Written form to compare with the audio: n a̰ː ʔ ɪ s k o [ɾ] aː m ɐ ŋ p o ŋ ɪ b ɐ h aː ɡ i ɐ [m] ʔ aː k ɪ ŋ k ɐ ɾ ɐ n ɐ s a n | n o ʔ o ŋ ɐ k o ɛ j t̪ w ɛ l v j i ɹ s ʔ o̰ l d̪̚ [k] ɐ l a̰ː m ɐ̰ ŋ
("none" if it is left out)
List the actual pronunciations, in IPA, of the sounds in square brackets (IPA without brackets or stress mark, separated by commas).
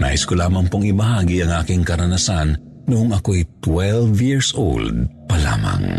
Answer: l, ŋ, p